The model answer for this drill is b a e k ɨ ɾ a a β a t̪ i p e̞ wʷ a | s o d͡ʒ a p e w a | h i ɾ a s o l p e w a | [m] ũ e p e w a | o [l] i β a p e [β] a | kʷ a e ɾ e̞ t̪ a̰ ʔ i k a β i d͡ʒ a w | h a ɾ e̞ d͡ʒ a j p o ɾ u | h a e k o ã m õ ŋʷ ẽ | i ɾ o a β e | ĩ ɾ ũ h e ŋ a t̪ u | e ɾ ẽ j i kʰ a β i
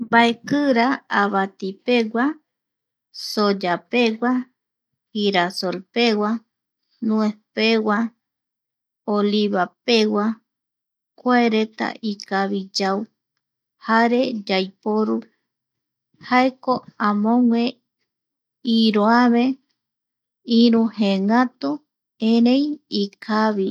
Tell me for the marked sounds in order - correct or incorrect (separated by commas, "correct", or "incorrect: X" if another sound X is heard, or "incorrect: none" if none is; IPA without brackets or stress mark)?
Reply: incorrect: n, correct, incorrect: w